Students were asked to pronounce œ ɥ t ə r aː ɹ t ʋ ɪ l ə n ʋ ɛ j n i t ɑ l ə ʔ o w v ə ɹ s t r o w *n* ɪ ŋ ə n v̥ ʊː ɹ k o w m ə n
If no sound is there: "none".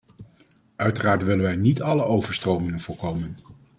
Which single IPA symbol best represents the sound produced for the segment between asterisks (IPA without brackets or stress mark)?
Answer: m